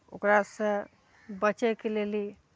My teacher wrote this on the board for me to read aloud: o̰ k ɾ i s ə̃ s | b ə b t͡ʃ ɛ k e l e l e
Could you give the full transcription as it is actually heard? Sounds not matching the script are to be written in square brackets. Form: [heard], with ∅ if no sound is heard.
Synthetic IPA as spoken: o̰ k ɾ [a] s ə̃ [∅] | b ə [∅] t͡ʃ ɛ k e l e l [i]